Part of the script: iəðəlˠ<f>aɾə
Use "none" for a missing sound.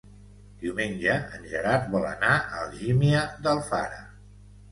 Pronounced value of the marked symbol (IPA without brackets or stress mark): f